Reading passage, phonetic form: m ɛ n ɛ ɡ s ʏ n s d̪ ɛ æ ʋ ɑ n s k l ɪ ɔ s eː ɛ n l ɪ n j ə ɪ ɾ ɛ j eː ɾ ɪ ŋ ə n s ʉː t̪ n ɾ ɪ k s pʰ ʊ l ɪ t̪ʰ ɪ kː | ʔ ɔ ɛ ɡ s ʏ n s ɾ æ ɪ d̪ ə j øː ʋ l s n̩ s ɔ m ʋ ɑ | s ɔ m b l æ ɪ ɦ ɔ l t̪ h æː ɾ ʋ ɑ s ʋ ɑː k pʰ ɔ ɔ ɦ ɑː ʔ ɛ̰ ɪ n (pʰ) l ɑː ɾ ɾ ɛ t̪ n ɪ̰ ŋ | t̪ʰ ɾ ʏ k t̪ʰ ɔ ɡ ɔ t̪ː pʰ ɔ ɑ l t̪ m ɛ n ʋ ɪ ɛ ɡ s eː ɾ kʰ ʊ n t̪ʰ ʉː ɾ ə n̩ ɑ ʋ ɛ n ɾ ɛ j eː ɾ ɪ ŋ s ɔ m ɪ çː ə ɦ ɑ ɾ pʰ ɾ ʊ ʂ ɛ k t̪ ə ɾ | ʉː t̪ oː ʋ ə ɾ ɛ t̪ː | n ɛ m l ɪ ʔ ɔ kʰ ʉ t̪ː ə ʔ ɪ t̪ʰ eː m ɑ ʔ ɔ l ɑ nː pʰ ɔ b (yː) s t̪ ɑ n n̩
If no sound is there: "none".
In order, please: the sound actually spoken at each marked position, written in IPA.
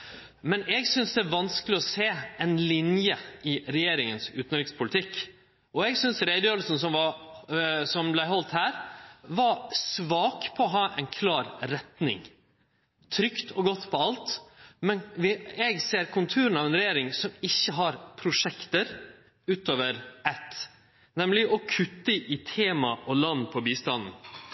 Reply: kʰ, iː

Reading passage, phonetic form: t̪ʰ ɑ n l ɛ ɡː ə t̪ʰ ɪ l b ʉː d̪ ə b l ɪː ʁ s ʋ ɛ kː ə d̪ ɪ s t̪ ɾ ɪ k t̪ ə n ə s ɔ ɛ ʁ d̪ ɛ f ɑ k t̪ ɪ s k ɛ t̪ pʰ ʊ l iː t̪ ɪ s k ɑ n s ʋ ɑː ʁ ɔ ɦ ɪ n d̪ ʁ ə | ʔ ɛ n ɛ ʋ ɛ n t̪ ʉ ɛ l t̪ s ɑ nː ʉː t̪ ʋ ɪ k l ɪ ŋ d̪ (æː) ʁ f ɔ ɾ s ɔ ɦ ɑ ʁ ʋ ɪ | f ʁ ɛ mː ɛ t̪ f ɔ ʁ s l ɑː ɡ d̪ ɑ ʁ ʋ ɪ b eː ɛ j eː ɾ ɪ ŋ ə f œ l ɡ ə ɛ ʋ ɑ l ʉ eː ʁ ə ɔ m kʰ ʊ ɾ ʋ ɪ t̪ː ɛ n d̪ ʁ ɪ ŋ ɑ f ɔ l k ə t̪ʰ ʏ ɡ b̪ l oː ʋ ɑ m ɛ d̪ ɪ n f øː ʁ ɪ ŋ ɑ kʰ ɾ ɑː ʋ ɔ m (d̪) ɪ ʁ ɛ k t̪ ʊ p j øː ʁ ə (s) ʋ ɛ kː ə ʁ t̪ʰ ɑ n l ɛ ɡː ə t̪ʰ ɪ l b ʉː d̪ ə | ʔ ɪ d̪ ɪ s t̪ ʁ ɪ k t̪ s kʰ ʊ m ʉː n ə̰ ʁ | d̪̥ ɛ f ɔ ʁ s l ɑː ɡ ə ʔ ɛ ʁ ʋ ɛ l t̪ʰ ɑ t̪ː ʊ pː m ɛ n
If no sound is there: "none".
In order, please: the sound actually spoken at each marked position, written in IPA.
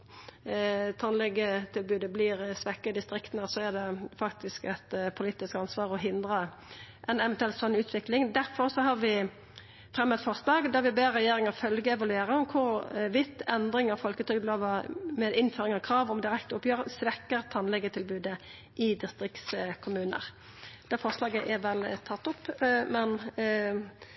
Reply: æ, d̪, s

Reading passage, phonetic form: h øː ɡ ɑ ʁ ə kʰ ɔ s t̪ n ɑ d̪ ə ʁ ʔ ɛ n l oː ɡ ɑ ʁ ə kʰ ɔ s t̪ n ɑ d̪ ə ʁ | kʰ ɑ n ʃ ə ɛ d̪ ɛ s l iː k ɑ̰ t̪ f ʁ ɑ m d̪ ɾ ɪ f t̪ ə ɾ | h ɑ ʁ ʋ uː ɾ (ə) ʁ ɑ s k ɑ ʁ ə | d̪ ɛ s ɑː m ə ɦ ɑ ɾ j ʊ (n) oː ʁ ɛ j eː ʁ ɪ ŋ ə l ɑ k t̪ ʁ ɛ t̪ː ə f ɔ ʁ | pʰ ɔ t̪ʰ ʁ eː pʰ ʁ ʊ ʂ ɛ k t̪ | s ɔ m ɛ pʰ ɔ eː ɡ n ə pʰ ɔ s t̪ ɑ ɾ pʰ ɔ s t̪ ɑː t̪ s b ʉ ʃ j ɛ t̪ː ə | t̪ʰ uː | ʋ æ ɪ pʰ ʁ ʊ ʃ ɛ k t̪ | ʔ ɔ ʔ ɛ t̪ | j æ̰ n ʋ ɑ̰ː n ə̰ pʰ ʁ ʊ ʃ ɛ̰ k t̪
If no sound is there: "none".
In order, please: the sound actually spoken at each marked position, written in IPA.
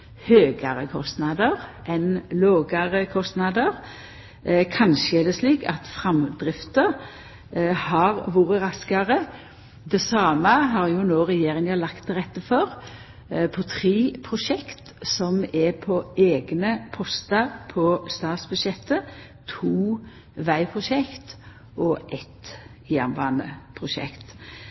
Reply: ə, n

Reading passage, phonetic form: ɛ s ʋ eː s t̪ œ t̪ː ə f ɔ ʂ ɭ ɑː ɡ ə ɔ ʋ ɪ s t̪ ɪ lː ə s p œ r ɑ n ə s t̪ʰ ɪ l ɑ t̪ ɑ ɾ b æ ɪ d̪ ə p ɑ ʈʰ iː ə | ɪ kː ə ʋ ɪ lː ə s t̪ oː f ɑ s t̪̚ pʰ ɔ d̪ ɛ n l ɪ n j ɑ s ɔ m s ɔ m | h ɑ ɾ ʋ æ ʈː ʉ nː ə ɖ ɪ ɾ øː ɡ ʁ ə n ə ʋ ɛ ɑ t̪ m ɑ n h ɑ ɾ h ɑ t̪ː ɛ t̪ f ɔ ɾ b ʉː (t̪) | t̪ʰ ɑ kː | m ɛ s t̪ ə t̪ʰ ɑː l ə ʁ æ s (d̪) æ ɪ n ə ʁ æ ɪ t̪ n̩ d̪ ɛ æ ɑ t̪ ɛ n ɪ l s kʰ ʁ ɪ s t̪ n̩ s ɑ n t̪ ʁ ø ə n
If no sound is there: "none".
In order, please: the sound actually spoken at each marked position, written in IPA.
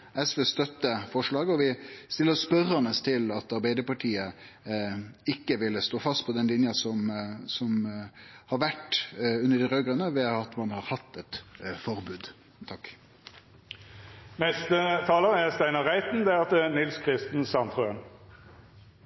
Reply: d̪, t̪

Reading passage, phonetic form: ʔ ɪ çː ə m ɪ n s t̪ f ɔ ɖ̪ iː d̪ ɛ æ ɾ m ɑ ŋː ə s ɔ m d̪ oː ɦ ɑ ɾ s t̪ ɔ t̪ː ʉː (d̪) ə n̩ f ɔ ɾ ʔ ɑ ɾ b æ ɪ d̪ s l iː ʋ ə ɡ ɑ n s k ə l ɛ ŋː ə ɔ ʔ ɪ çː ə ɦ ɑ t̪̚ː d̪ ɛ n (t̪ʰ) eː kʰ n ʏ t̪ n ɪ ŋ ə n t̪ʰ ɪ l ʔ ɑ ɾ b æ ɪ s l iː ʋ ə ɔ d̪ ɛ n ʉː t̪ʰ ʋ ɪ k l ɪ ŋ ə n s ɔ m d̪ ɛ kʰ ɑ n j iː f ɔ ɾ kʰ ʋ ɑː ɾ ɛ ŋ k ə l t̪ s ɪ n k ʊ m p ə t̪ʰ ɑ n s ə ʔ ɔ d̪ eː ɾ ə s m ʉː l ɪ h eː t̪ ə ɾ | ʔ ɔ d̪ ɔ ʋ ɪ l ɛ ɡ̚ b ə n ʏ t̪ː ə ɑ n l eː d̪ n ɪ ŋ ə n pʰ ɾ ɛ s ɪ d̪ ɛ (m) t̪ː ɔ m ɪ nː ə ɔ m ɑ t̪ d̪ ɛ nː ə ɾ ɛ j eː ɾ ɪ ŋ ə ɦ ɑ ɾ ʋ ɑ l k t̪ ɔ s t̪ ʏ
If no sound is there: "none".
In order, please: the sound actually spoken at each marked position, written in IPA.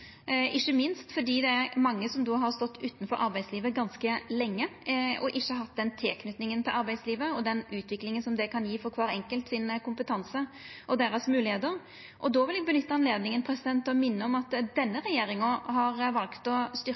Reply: t̪, t̪ʰ, n

